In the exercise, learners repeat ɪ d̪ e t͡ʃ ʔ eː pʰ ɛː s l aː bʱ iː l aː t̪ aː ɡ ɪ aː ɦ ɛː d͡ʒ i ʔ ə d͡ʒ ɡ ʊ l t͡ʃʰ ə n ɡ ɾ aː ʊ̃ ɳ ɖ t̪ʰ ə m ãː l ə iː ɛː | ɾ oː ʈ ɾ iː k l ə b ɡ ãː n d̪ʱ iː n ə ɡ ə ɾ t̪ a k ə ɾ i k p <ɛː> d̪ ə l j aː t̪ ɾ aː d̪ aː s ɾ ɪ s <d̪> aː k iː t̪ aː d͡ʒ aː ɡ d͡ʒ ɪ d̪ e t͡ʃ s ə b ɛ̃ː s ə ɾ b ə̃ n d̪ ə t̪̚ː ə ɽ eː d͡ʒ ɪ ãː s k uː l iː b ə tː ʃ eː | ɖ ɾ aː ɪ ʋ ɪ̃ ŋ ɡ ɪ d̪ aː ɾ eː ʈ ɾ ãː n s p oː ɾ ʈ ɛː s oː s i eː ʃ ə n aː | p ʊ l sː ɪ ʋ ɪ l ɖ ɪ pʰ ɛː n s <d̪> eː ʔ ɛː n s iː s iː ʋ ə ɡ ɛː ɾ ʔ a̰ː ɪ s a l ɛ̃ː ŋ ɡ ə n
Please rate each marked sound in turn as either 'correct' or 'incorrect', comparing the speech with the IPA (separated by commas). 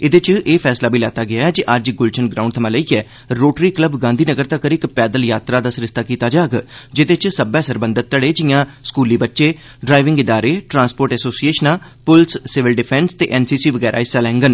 correct, incorrect, incorrect